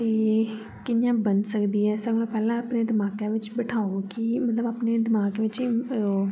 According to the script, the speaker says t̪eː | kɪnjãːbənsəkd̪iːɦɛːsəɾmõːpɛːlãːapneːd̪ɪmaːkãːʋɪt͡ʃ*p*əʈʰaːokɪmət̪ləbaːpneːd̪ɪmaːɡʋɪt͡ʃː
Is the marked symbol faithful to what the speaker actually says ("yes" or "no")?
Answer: no